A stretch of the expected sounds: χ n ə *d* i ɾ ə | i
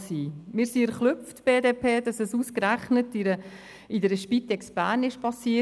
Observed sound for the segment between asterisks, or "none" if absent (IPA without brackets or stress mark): t